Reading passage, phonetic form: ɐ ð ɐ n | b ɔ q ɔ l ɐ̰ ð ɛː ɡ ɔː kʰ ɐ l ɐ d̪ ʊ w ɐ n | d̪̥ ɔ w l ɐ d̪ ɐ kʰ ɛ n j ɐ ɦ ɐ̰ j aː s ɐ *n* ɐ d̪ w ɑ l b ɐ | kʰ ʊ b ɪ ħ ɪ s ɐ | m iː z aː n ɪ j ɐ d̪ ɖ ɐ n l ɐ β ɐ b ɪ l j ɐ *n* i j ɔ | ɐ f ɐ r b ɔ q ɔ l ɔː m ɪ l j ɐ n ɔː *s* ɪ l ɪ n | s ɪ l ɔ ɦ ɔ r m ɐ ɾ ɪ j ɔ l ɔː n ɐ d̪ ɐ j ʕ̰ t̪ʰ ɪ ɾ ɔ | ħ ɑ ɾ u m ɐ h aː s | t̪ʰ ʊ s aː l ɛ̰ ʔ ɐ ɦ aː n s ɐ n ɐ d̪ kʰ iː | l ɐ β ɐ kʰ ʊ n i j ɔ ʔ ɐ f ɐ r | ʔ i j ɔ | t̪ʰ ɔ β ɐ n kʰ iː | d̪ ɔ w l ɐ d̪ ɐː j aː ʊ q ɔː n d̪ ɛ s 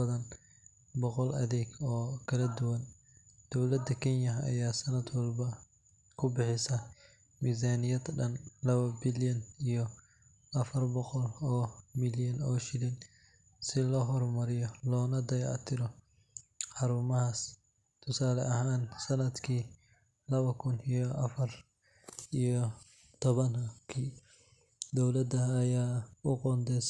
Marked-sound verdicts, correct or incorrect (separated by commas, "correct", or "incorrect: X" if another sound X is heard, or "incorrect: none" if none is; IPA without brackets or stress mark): correct, correct, incorrect: ʃ